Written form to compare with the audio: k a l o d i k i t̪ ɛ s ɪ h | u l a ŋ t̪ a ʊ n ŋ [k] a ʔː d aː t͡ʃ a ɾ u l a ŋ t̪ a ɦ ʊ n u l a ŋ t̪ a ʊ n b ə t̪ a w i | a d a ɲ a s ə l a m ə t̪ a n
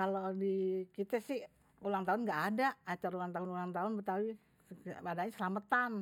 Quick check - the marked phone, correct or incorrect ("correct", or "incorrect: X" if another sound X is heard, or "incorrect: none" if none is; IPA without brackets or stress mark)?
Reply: incorrect: ɡ